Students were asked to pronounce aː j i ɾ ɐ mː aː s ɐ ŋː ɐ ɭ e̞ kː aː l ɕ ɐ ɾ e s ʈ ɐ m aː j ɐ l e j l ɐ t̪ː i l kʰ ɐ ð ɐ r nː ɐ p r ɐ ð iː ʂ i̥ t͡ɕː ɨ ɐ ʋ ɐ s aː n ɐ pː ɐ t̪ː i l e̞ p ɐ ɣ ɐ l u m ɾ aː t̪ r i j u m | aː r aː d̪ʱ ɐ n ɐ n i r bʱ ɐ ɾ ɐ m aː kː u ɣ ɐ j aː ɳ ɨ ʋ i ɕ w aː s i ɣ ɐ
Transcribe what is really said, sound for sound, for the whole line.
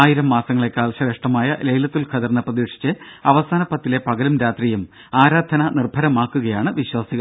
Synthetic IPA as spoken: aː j i ɾ ɐ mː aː s ɐ ŋː ɐ ɭ e̞ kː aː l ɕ ɐ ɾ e ʂ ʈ ɐ m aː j ɐ l e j l ɐ t̪ː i l kʰ ɐ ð ɐ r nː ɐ p r ɐ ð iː ʂ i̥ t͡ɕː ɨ ɐ ʋ ɐ s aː n ɐ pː ɐ t̪ː i l e̞ p ɐ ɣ ɐ l u m ɾ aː t̪ r i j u m | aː ɾ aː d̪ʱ ɐ n ɐ n i r bʱ ɐ ɾ ɐ m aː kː u ɣ ɐ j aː ɳ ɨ ʋ i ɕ w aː s i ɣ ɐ

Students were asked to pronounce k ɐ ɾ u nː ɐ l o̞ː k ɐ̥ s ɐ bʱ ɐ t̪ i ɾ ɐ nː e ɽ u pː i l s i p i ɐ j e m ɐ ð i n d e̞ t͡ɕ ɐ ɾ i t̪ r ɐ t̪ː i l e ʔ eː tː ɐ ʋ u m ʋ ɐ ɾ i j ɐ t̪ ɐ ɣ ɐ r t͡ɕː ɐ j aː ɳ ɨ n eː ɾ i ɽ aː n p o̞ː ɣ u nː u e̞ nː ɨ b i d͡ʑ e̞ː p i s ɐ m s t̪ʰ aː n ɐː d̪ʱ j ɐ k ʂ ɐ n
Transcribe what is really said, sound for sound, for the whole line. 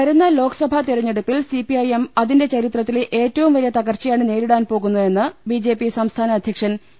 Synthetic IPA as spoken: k ɐ ɾ u nː ɐ l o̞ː k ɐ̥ s ɐ bʱ ɐ t̪ i ɾ ɐ ɲː e ɽ u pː i l s i p i ɐ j e m ɐ ð i n d e̞ t͡ɕ ɐ ɾ i t̪ r ɐ t̪ː i l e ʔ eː tː ɐ ʋ u m ʋ ɐ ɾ i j ɐ t̪ ɐ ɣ ɐ r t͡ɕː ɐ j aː ɳ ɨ n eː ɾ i ɽ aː n p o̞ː ɣ u nː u e̞ nː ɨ b i d͡ʑ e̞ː p i s ɐ m s t̪ʰ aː n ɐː d̪ʱ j ɐ k ʂ ɐ n

